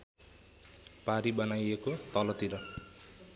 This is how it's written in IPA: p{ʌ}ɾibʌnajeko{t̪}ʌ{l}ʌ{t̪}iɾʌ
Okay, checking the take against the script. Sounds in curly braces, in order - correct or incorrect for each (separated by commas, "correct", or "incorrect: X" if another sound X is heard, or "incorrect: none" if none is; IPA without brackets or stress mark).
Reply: incorrect: a, correct, correct, correct